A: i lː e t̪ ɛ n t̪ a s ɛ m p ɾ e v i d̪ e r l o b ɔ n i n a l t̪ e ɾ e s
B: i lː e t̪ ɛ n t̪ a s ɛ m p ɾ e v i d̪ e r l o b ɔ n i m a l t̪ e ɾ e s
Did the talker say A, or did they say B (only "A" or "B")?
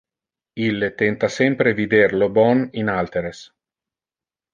A